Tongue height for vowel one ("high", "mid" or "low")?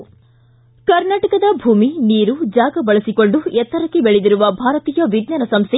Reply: low